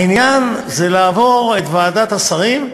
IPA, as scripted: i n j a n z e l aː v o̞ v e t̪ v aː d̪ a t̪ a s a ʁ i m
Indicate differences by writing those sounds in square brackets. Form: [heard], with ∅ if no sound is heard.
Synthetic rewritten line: i n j a n z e l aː v o̞ [ʁ] e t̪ v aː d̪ a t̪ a s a ʁ i m